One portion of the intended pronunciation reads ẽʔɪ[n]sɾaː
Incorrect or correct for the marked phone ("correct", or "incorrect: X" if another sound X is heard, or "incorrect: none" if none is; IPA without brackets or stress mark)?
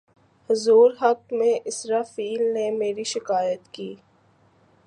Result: incorrect: none